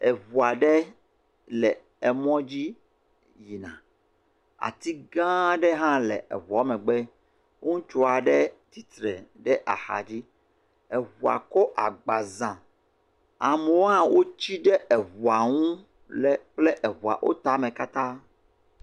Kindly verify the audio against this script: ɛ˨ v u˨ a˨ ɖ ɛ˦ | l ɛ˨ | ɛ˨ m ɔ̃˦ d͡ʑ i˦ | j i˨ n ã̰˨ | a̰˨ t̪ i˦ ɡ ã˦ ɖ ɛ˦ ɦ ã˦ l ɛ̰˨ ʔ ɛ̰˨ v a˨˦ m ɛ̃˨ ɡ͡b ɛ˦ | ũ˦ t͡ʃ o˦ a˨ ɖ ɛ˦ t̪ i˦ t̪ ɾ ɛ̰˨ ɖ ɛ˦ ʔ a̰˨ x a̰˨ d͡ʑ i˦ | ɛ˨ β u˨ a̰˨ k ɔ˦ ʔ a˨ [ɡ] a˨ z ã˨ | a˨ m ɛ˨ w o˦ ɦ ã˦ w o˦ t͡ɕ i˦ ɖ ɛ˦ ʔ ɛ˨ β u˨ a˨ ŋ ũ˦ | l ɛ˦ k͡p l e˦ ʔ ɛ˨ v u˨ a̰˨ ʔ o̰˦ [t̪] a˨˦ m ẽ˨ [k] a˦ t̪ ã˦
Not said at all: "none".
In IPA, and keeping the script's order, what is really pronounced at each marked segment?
ɡ͡b, t̪, k

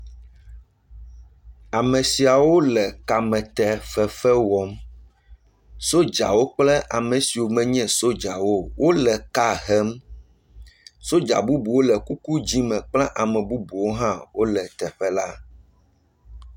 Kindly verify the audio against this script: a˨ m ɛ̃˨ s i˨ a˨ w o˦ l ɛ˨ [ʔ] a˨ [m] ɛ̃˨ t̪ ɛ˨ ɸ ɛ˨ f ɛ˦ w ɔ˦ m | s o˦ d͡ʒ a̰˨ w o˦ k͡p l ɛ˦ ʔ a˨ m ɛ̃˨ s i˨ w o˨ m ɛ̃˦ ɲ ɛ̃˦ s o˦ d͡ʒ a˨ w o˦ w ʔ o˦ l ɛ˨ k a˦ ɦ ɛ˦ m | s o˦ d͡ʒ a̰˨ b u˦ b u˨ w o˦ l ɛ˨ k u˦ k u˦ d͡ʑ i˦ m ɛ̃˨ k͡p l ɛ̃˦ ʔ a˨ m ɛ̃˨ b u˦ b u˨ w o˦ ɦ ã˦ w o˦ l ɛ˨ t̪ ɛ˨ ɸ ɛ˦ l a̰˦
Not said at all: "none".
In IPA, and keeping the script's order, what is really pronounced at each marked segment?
k, m

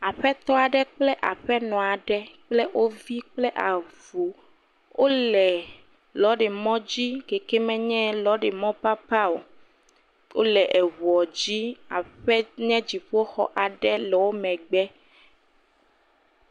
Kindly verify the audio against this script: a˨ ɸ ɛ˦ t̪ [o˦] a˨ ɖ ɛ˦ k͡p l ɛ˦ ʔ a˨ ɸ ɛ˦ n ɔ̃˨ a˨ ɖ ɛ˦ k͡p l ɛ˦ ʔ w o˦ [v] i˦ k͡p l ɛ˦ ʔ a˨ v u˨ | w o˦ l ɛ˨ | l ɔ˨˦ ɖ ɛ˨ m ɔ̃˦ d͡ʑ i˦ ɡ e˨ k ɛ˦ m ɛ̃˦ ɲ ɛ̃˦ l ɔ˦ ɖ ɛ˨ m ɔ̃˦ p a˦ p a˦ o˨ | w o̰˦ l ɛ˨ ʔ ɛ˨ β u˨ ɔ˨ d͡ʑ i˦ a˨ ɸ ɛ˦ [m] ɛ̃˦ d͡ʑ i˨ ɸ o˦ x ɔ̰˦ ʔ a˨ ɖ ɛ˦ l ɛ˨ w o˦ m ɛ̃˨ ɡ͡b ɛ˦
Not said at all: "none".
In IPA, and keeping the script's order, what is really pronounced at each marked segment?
ɔ˦, v, ɲ

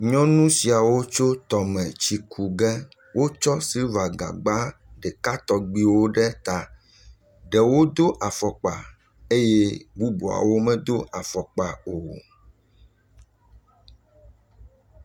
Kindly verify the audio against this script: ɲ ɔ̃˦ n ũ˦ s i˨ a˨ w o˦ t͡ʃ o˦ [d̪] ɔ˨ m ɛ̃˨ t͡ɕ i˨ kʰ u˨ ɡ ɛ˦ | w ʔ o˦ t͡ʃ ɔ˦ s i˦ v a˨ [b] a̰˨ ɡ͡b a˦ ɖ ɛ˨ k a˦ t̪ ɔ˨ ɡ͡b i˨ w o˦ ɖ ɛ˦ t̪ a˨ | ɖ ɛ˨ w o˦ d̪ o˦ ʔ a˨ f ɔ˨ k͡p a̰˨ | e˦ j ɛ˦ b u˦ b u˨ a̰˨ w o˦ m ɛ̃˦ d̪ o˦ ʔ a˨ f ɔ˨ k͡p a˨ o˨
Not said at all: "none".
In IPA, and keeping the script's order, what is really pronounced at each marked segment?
t̪, ɡ

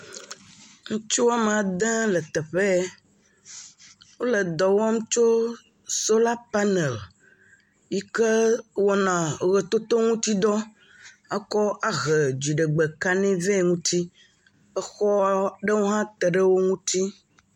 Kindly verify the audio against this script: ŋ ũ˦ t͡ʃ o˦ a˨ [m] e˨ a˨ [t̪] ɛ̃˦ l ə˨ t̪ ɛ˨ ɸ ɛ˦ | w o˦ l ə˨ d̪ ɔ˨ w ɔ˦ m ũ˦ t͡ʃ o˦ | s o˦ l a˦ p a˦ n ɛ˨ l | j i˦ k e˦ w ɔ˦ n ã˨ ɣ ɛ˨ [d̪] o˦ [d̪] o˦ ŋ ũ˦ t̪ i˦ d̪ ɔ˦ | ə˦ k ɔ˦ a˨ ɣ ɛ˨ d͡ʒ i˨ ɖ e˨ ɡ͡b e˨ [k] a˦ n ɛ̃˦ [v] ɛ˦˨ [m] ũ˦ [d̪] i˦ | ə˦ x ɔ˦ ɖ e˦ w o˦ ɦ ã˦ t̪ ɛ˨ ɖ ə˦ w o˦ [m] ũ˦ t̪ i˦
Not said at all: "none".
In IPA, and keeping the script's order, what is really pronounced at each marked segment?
m, d̪, t̪, t̪, k, v, ŋ, t̪, ŋ

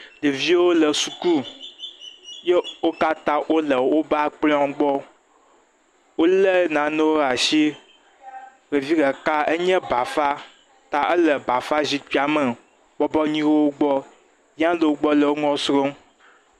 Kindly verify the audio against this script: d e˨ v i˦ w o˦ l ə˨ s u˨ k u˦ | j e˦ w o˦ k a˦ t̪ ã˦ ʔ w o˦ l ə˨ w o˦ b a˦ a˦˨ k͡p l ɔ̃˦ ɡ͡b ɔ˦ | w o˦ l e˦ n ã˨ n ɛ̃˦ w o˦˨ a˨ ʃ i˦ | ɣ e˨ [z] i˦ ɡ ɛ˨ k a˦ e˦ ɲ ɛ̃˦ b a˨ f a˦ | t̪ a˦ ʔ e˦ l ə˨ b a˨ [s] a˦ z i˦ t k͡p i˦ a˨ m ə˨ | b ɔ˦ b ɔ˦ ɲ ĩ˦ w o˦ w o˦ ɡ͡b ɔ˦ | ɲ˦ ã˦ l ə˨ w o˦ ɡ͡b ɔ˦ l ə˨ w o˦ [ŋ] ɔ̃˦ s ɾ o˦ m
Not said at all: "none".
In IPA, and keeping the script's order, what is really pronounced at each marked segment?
v, f, ŋ

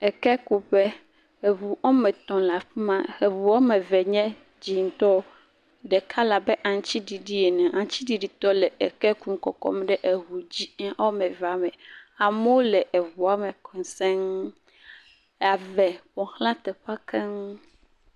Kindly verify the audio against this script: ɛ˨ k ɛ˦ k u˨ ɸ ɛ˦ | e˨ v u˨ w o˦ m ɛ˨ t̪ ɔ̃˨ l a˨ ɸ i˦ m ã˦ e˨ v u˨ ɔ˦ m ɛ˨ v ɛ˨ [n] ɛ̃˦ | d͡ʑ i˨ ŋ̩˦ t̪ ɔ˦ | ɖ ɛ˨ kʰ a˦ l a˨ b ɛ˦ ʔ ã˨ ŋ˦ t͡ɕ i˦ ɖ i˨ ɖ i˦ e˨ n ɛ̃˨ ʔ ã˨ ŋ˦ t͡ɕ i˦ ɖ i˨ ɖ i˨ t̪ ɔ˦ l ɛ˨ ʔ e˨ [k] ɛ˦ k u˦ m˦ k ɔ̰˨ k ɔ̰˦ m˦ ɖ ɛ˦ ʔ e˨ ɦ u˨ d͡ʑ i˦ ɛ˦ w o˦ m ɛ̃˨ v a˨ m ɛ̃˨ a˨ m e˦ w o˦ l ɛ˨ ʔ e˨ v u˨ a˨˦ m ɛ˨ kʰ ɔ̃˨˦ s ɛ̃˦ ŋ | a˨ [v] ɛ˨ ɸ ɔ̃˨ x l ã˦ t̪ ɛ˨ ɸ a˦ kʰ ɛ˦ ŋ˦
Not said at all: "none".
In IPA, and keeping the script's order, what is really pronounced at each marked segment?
ɲ, k, v

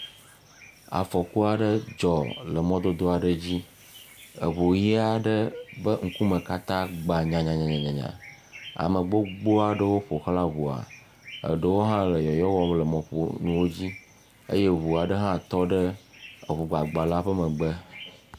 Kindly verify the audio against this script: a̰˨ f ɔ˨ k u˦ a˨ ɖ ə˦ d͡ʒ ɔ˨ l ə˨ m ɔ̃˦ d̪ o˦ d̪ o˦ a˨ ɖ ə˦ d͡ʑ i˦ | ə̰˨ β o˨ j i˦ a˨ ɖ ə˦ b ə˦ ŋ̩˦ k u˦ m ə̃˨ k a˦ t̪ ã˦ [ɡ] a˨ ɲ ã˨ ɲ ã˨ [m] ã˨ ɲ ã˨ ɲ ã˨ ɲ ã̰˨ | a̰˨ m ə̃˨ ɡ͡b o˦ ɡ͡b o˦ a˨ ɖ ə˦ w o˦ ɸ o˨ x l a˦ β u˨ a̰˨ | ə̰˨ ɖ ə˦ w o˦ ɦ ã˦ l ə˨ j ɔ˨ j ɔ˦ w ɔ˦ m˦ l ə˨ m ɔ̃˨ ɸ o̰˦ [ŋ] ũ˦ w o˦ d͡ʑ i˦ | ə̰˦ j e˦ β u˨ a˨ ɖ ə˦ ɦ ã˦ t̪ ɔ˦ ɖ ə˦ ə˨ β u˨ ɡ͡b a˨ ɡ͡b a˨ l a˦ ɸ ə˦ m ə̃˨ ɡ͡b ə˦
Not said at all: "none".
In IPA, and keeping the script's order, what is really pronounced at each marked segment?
ɡ͡b, ɲ, n

